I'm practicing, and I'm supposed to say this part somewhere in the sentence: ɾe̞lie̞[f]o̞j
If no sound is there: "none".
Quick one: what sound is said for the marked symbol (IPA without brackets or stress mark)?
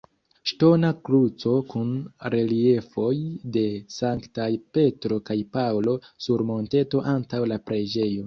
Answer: f